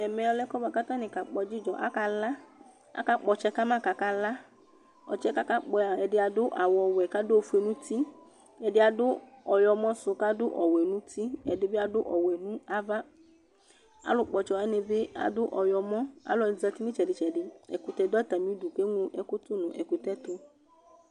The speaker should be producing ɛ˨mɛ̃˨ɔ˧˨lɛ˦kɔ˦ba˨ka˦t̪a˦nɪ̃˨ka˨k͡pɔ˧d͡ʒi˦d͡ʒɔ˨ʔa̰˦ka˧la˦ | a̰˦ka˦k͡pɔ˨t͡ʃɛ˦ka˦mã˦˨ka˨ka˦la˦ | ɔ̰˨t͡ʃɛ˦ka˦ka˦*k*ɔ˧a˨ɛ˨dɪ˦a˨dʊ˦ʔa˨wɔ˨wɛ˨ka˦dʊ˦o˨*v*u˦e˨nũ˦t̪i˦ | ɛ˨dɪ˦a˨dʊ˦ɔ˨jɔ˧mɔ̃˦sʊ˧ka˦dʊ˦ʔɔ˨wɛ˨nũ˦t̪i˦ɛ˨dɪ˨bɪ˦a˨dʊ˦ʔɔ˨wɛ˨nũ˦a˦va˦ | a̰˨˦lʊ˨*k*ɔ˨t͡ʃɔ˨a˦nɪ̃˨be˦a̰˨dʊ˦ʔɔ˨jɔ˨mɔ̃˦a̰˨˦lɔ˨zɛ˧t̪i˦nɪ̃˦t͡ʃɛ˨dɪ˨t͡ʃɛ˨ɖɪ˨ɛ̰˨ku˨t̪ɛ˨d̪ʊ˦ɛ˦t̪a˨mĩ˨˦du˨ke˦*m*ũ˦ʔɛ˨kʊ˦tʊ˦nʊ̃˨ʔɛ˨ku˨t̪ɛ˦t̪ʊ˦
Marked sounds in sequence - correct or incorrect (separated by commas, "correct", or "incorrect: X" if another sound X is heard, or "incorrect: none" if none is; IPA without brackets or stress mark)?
incorrect: k͡p, incorrect: f, incorrect: k͡p, incorrect: ŋ